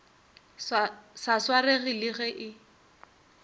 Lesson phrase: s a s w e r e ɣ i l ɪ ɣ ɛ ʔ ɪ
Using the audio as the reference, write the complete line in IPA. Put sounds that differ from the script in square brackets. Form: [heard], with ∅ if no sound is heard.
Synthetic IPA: s a s w [a] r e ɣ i l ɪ ɣ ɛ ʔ ɪ